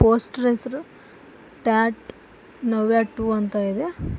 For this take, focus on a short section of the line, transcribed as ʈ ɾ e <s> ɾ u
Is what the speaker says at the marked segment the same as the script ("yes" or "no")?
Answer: yes